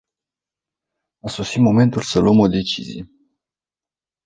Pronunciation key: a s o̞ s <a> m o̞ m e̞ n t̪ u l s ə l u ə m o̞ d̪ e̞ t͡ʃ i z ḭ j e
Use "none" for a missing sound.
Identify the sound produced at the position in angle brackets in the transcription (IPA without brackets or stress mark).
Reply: i